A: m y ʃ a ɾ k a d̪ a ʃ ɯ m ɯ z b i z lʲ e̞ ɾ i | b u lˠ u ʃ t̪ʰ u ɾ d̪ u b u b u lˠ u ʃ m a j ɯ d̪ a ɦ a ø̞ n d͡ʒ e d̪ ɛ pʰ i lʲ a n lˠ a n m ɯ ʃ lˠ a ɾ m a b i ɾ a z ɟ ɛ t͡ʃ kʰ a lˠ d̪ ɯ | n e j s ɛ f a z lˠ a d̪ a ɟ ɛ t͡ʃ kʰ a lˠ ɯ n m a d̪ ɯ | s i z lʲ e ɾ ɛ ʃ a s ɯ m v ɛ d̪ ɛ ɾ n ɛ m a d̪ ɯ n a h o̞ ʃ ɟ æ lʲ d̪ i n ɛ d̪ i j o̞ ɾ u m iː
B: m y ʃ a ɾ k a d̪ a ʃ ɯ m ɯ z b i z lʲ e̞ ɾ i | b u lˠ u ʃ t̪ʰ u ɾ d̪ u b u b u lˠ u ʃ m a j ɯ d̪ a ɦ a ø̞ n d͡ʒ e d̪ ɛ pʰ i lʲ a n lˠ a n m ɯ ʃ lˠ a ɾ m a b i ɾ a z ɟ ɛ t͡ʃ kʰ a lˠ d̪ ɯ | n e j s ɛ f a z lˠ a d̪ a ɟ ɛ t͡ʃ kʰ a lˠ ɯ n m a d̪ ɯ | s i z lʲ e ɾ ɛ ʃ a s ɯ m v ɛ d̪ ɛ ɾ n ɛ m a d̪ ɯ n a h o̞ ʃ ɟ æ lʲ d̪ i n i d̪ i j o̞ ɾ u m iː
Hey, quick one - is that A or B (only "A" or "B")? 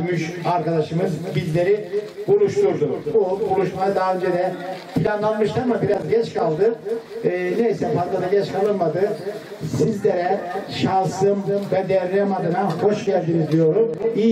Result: B